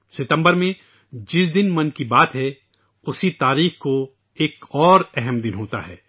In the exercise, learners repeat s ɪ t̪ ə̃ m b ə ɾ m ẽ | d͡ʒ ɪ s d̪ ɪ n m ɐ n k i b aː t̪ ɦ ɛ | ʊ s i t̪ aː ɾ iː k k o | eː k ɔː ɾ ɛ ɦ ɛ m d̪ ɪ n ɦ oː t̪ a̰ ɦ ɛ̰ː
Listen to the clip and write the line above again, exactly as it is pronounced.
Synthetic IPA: s ɪ t̪ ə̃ m b ə ɾ m ẽ | d͡ʒ ɪ s d̪ ɪ n m ɐ n k i b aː t̪ ɦ ɛ | ʊ s i t̪ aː ɾ iː x k o | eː k ɔː ɾ ɛ ɦ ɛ m d̪ ɪ n ɦ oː t̪ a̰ ɦ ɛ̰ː